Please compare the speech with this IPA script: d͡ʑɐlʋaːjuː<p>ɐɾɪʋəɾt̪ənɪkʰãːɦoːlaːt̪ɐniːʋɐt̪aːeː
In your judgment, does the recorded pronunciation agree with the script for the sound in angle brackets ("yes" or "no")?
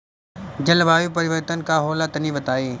yes